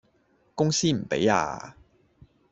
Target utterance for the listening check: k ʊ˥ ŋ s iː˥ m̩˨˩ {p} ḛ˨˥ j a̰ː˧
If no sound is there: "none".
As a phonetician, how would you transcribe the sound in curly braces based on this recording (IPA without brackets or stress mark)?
p